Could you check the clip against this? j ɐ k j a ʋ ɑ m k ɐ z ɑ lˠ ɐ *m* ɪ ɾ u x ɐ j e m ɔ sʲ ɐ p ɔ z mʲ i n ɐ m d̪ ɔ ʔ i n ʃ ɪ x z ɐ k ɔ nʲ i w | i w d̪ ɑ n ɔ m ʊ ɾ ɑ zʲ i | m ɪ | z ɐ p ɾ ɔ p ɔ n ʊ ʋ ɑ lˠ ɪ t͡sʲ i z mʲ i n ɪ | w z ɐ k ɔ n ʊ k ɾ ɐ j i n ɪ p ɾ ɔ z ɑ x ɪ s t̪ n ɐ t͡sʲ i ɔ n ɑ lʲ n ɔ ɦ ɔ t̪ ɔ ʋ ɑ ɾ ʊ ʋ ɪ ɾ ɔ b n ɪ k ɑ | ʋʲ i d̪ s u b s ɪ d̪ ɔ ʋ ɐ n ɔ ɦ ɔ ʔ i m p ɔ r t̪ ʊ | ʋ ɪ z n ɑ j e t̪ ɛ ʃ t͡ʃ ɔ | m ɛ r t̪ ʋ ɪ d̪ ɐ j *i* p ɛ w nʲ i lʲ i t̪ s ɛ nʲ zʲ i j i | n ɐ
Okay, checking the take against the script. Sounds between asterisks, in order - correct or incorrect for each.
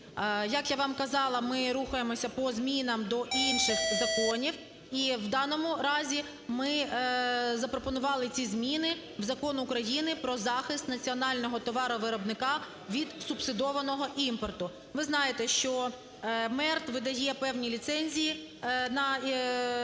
correct, incorrect

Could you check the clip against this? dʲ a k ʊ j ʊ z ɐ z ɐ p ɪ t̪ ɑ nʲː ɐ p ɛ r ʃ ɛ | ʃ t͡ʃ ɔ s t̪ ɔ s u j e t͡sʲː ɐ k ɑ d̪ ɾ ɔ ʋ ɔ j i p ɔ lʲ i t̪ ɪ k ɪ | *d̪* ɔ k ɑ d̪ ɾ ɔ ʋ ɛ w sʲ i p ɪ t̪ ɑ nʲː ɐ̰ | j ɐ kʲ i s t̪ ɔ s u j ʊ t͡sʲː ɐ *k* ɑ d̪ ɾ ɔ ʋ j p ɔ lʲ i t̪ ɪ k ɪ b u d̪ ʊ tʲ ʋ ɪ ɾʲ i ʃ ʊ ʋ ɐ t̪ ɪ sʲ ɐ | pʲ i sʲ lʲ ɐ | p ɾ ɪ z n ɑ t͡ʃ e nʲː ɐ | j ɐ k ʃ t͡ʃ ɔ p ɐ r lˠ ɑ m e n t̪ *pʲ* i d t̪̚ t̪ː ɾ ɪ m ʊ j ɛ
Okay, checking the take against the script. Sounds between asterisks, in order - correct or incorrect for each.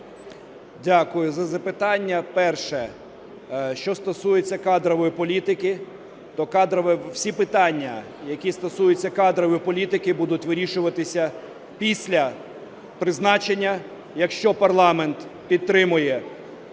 incorrect, correct, correct

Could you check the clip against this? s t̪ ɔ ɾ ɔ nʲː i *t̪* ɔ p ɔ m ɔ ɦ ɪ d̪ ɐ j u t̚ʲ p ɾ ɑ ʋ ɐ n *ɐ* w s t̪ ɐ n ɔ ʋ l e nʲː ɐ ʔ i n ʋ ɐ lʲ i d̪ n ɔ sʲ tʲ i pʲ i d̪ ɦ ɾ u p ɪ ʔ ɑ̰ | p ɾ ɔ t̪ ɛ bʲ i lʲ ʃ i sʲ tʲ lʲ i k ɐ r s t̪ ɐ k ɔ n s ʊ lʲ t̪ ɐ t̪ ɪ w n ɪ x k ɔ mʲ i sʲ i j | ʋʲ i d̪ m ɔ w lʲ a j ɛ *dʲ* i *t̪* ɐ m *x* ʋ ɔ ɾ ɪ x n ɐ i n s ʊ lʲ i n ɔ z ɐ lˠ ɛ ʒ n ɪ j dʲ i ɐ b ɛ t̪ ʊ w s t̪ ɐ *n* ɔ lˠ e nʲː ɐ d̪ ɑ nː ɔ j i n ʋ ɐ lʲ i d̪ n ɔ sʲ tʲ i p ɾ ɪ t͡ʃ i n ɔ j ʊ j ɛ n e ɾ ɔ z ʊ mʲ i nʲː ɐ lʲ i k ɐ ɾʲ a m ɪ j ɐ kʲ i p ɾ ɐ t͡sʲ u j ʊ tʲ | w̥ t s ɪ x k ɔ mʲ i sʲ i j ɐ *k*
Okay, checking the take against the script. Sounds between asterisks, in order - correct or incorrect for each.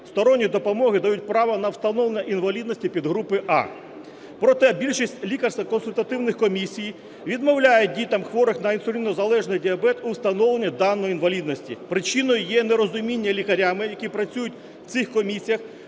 incorrect, correct, correct, correct, correct, correct, incorrect

